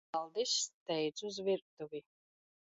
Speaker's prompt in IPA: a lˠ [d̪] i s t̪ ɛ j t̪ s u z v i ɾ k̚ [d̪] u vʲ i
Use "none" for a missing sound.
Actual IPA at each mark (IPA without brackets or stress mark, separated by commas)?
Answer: d̪, t̪